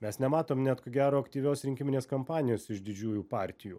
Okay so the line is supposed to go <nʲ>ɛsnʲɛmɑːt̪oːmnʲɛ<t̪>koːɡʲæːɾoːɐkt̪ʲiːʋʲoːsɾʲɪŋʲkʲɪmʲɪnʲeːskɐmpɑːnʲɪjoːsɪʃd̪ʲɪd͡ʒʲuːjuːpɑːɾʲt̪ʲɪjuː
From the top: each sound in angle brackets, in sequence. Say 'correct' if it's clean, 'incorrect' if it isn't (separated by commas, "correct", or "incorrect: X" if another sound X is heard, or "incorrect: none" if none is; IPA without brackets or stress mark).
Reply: incorrect: mʲ, correct